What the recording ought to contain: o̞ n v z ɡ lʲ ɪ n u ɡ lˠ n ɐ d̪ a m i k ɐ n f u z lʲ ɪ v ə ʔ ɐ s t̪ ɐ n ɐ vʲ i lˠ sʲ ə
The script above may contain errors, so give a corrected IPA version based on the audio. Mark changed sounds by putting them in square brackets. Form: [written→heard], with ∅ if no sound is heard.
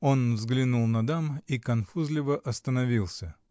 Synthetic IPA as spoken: o̞ n v z ɡ lʲ ɪ n u [ɡ→∅] lˠ n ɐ d̪ a m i k ɐ n f u z lʲ ɪ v ə ʔ ɐ s t̪ [ɐ→ə] n ɐ vʲ i lˠ sʲ ə